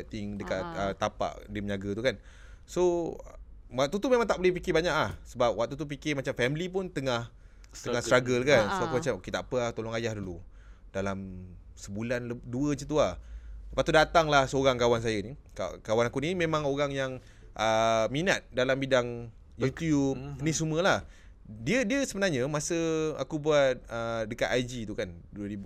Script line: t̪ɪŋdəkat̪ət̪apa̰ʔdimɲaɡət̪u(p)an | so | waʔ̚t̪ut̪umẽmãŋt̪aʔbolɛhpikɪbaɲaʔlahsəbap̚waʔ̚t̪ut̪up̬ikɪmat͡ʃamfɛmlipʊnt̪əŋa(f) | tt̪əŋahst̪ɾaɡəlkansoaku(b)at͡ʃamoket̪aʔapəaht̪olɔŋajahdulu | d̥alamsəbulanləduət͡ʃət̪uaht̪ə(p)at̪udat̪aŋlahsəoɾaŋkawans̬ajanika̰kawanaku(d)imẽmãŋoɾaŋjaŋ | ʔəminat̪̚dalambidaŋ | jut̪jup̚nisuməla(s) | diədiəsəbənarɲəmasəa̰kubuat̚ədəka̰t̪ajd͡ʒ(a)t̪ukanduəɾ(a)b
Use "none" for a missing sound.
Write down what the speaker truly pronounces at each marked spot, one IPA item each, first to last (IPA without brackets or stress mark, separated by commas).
k, h, m, p, n, h, i, i